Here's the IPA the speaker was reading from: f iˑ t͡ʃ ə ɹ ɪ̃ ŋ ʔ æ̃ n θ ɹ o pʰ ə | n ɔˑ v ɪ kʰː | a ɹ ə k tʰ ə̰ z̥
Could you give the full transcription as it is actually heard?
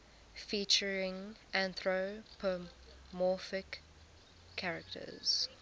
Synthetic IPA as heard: f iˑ t͡ʃ ə ɹ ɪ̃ ŋ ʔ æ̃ n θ ɹ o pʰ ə | m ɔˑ f ɪ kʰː | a ɹ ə k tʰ ə̰ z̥